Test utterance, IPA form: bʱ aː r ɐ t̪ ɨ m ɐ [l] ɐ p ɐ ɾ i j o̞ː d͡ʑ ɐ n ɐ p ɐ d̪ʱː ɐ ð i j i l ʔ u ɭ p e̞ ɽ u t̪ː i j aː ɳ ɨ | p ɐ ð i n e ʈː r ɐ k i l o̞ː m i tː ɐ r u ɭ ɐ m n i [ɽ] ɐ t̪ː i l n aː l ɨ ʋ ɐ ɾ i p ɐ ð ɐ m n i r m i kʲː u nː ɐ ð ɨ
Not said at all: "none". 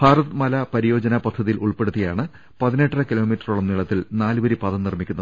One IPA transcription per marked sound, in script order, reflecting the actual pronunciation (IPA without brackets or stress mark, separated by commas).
l, ɭ